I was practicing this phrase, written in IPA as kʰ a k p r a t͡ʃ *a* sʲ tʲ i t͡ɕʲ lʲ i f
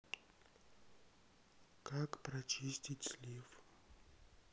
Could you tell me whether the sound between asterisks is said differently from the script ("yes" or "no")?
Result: yes